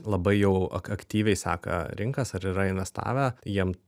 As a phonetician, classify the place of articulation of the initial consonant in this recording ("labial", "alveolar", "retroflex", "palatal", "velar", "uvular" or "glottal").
alveolar